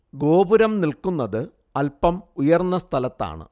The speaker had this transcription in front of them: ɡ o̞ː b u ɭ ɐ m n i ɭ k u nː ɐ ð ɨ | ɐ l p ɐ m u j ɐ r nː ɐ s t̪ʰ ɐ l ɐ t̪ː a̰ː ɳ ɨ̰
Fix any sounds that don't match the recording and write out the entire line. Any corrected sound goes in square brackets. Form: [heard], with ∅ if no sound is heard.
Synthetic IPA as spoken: ɡ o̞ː b u [ɾ] ɐ m n i [l] k u nː ɐ ð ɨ | ɐ l p ɐ m u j ɐ r nː ɐ s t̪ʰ ɐ l ɐ t̪ː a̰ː ɳ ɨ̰